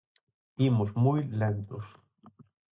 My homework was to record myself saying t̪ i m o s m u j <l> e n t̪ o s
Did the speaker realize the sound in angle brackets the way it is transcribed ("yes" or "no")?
yes